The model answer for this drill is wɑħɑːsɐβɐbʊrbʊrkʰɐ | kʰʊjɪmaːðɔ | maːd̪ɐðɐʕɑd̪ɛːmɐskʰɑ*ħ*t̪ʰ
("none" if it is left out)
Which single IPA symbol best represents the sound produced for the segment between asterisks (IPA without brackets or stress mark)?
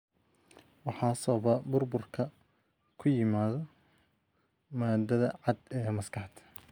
ħ